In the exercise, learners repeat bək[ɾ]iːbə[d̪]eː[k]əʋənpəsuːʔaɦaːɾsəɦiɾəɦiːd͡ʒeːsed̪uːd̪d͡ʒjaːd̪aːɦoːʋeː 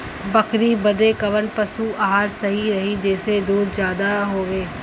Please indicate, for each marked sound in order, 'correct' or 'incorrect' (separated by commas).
correct, correct, correct